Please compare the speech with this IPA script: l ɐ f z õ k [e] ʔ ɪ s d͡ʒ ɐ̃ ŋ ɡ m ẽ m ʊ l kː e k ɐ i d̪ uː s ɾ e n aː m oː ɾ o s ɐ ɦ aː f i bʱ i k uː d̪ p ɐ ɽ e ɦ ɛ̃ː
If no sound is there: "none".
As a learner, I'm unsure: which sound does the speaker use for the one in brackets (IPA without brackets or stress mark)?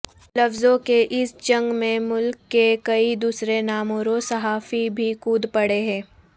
e